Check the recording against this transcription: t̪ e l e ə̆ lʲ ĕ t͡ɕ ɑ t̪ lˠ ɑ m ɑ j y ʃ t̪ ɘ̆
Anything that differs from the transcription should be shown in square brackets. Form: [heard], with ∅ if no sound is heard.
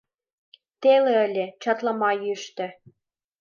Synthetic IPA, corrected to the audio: t̪ e l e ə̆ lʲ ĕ t͡ɕ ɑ t̪ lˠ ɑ m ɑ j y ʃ t̪ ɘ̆